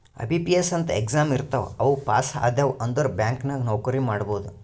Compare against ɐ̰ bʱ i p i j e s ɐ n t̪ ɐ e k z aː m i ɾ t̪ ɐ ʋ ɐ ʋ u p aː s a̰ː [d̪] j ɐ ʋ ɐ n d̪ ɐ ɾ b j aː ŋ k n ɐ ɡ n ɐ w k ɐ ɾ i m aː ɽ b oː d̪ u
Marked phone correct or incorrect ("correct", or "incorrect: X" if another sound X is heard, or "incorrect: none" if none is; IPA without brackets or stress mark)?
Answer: correct